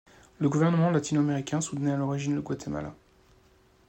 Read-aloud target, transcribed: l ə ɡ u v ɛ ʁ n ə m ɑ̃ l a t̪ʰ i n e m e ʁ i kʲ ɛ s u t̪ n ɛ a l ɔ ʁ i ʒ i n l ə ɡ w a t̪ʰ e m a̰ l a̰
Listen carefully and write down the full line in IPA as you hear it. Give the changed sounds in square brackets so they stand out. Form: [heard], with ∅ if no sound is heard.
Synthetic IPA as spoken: l ə ɡ u v ɛ ʁ n ə m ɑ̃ l a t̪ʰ i n [a] m e ʁ i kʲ [ɛ̃] s u t̪ n ɛ a l ɔ ʁ i ʒ i n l ə ɡ w a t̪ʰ e m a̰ l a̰